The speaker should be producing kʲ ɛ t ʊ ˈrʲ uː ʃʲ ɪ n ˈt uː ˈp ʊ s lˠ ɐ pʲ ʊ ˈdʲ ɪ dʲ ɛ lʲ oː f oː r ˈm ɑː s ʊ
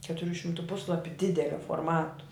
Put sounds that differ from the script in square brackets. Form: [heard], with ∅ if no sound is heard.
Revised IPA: kʲ ɛ t ʊ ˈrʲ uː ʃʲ ɪ [m] ˈt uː ˈp ʊ s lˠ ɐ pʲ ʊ ˈdʲ ɪ dʲ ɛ lʲ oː f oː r ˈm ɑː [t] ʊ